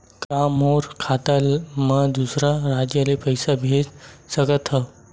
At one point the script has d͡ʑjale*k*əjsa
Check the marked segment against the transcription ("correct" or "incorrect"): incorrect